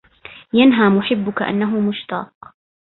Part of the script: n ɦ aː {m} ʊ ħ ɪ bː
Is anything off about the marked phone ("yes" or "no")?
no